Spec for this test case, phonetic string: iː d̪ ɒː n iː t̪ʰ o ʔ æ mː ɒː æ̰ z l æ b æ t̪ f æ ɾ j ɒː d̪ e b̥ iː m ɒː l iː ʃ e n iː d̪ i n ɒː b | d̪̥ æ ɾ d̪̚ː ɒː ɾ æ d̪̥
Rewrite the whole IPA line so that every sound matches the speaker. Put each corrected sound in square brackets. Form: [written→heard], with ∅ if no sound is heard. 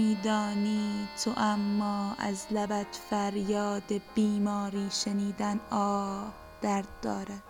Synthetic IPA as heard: iː d̪ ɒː n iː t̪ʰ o ʔ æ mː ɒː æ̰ z l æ b æ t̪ f æ ɾ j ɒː d̪ e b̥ iː m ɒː [l→ɾ] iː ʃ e n iː d̪ [i→æ] n ɒː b | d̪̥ æ ɾ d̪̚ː ɒː ɾ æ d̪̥